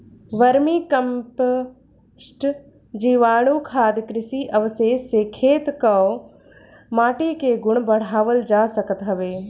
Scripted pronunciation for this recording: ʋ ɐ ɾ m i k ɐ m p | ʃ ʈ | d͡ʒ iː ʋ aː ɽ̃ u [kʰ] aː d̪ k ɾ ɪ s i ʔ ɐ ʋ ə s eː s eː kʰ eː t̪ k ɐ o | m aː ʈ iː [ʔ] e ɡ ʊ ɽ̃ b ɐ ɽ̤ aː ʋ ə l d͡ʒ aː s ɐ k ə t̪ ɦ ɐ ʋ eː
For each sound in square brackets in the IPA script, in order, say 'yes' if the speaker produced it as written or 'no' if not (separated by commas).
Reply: yes, no